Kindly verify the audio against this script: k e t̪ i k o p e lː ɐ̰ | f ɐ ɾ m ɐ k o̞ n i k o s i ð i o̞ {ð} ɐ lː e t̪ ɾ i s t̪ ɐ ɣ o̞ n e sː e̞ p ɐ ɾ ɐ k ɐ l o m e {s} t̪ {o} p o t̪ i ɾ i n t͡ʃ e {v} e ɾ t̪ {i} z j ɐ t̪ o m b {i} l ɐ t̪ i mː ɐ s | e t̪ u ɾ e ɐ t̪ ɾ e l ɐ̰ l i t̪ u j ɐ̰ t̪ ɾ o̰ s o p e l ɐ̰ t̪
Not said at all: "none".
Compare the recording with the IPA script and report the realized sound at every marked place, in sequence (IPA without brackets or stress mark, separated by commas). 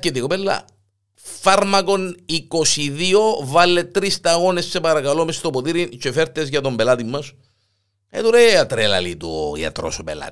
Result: v, s, o, f, e, e